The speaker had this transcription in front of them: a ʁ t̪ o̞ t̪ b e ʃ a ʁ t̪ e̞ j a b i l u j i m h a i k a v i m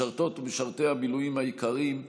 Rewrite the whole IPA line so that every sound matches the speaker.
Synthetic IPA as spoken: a ʁ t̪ o̞ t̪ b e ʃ a ʁ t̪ e̞ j a b i l u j i m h a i k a ʁ i m